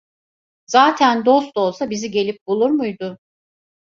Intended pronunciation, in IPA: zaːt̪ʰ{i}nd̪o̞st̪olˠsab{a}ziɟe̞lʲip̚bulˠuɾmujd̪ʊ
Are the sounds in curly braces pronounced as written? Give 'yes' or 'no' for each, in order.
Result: no, no

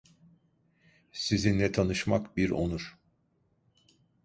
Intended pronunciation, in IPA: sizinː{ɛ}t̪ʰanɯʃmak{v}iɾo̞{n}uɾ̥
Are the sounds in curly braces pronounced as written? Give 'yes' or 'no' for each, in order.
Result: yes, no, yes

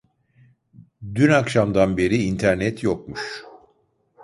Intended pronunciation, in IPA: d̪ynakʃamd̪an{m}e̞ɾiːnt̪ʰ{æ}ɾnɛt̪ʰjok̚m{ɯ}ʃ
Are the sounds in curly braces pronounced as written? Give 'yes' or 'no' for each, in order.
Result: no, yes, no

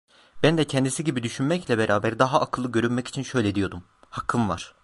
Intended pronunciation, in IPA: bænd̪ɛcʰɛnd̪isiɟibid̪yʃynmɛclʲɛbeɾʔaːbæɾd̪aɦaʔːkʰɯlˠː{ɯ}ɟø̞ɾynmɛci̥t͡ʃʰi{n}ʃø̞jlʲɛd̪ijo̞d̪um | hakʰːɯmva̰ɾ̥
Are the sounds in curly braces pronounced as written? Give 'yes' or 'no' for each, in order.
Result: yes, yes

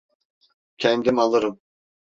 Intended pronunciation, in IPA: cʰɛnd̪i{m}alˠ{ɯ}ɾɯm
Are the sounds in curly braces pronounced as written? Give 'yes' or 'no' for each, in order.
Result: yes, yes

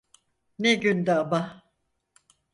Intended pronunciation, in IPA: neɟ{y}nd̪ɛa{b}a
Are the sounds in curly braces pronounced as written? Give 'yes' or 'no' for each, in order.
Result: yes, yes

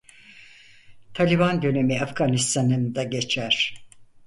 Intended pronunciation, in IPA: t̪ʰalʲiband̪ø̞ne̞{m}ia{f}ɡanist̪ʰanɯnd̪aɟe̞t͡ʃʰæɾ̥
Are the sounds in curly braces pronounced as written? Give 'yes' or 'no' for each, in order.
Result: yes, yes

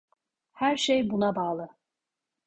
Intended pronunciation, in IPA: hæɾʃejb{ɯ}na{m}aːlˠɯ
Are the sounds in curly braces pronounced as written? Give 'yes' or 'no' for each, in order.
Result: no, no

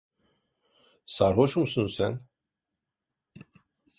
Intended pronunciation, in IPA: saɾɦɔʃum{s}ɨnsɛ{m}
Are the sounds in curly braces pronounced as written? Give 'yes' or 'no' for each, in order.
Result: yes, no

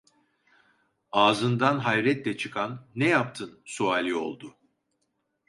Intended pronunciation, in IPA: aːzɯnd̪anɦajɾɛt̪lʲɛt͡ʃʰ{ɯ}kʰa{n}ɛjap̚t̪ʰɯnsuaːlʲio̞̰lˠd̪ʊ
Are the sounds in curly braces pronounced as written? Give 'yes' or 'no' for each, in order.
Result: yes, no

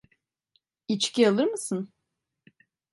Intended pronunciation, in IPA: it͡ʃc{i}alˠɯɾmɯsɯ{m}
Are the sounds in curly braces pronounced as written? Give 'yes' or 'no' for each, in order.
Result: yes, no

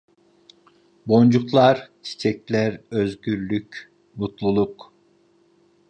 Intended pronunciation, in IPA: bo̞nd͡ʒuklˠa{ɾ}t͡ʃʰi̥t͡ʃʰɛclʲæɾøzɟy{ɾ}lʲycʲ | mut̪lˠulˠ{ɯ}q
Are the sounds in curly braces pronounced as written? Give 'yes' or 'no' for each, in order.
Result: yes, yes, no

